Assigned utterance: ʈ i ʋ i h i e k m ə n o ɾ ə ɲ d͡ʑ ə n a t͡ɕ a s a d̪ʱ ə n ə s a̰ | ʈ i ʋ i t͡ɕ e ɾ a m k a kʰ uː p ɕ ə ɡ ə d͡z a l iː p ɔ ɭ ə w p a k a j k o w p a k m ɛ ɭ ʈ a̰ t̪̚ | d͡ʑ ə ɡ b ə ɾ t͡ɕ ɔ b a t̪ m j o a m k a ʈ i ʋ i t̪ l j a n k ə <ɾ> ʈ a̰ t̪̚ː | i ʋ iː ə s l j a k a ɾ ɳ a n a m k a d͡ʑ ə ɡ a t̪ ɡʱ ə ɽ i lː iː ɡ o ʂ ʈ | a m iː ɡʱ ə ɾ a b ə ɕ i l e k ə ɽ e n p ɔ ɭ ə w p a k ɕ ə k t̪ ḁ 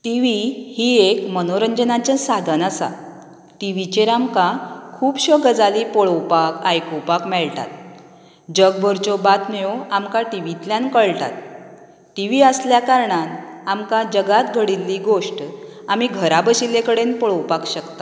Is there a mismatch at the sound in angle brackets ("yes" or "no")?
yes